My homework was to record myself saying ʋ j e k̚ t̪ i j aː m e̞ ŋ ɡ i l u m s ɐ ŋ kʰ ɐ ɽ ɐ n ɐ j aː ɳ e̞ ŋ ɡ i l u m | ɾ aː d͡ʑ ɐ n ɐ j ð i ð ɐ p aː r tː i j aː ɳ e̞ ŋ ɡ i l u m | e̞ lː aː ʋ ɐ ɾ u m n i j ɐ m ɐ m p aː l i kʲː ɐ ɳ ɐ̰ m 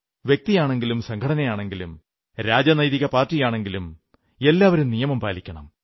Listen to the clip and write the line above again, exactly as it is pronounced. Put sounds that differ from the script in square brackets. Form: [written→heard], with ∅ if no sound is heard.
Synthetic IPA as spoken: ʋ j e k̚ t̪ i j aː [m→ɳ] e̞ ŋ ɡ i l u m s ɐ ŋ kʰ ɐ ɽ ɐ n ɐ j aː ɳ e̞ ŋ ɡ i l u m | ɾ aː d͡ʑ ɐ n ɐ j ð i [ð→ɣ] ɐ p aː r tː i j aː ɳ e̞ ŋ ɡ i l u m | e̞ lː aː ʋ ɐ ɾ u m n i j ɐ m ɐ m p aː l i kʲː ɐ ɳ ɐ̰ m